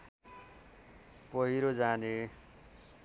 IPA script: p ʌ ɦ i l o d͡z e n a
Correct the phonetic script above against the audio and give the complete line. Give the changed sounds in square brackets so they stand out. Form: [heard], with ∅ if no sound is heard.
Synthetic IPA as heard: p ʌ ɦ i [ɾ] o d͡z [a] n [e]